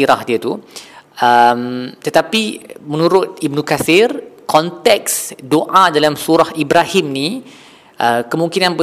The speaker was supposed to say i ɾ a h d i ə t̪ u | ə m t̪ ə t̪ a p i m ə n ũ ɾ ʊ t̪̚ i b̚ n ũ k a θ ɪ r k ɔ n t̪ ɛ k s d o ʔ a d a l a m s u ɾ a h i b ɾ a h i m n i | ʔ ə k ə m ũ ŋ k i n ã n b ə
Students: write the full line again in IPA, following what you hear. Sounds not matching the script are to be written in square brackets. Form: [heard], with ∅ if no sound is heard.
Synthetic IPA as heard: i ɾ a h d i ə t̪ u | ə m t̪ ə t̪ a p i m ə n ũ ɾ ʊ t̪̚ i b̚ n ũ k a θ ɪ r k ɔ n t̪ ɛ k s d o ʔ a d a l a m s u ɾ a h i b ɾ a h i m n i | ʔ ə k ə m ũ ŋ k i n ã n b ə